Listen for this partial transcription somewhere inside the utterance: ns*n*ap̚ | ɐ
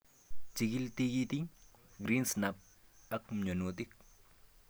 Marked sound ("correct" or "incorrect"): correct